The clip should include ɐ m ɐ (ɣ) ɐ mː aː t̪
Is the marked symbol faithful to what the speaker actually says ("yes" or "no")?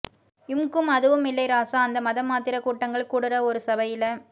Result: no